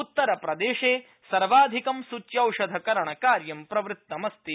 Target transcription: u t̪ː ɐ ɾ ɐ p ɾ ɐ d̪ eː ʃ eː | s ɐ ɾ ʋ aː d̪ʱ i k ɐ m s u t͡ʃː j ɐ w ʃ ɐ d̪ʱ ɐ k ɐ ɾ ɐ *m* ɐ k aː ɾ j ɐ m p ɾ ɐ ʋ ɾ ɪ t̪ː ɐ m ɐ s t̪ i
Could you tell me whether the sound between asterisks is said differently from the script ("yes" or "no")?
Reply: yes